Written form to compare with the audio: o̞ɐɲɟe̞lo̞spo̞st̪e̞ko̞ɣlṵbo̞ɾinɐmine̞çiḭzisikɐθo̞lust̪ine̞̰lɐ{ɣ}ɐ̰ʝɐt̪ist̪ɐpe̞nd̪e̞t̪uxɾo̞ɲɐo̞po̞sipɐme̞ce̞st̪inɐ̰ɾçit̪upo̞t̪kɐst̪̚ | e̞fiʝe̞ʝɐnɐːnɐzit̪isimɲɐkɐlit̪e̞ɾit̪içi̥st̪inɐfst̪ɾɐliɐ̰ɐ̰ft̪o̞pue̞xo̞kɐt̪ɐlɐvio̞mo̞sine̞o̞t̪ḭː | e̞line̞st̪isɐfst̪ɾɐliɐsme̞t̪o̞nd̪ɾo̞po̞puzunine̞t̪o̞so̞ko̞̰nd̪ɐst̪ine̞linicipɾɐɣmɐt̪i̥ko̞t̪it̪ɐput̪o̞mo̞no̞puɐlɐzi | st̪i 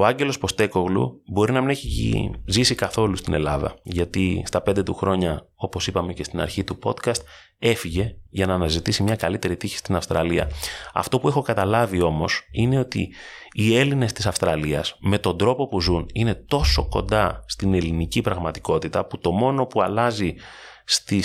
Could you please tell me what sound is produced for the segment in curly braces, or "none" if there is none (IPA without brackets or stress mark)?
ð